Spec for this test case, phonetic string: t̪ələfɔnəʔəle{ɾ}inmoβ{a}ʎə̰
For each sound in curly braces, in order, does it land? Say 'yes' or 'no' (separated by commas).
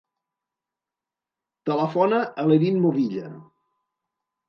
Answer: yes, no